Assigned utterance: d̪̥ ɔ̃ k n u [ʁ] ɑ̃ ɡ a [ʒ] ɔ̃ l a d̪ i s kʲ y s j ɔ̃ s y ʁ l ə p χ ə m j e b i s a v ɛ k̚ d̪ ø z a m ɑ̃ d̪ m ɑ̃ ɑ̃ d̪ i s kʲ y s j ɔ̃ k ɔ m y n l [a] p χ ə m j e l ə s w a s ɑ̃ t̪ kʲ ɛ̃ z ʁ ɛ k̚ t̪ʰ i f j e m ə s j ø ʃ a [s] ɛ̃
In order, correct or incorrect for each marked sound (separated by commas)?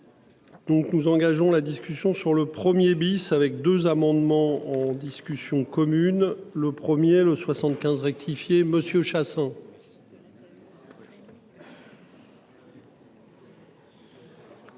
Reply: incorrect, correct, incorrect, correct